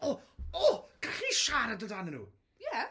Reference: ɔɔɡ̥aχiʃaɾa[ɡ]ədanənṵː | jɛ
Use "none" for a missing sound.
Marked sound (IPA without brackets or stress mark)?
d